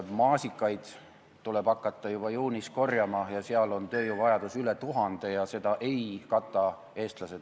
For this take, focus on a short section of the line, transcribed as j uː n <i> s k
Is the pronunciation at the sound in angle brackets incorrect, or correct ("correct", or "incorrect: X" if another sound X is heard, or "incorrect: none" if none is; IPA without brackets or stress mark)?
correct